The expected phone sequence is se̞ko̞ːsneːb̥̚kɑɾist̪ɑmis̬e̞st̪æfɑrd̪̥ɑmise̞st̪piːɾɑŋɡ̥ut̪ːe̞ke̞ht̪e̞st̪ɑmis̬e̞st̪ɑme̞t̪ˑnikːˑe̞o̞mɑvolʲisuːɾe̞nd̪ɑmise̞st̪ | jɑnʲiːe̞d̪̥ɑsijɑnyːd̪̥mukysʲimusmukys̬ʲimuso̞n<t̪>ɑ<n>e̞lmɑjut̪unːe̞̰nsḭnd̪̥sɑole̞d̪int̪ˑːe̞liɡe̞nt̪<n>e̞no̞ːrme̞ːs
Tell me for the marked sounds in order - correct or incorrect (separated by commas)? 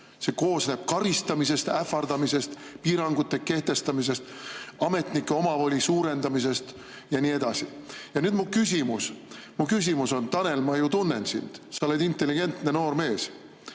correct, correct, correct